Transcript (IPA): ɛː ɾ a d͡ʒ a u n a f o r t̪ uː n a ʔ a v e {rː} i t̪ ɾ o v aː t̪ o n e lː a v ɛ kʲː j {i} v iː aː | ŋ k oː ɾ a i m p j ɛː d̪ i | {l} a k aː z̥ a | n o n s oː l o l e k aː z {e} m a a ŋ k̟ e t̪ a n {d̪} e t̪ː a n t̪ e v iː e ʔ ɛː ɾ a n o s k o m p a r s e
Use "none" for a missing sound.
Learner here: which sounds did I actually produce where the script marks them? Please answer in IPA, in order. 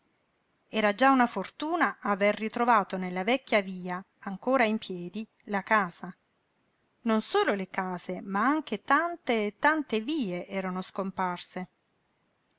rː, a, l, e, t̪

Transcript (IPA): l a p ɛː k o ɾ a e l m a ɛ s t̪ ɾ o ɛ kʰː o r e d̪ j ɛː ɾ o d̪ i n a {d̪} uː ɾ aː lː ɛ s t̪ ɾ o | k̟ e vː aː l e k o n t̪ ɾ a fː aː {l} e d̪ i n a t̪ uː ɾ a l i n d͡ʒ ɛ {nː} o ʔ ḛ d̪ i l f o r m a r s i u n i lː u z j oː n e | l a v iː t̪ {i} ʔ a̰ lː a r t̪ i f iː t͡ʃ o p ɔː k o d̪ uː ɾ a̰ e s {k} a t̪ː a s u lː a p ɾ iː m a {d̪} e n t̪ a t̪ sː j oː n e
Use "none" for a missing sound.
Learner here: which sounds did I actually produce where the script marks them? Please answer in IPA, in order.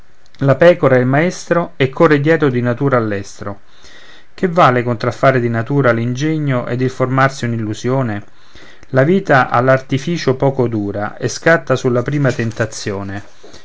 t̪, ɾ, ɲː, a, k, t̪

